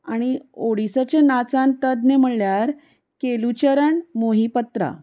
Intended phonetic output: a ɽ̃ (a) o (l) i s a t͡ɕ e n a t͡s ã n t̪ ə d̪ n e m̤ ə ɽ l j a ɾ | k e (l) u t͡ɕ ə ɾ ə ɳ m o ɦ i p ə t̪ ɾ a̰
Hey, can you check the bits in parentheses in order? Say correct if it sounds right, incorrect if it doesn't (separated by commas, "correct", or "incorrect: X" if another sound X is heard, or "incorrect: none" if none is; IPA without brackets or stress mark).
incorrect: i, incorrect: ɽ, correct